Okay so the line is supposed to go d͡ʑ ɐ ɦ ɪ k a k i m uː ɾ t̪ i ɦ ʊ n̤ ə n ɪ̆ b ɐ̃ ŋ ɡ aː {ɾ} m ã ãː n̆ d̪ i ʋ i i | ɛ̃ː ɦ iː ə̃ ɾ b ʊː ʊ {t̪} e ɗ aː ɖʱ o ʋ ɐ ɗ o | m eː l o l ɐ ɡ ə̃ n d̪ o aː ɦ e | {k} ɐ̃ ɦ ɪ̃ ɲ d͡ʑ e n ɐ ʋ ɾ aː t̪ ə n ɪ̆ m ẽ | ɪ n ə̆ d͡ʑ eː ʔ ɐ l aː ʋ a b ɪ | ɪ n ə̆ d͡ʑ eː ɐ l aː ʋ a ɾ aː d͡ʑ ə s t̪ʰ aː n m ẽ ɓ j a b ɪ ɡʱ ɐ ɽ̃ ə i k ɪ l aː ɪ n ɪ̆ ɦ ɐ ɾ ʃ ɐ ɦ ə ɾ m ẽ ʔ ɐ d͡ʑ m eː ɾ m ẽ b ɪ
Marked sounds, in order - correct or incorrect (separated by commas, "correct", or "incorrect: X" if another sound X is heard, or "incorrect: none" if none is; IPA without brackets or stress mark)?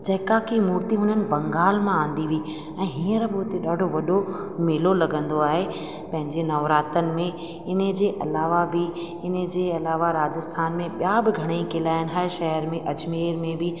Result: incorrect: l, correct, incorrect: p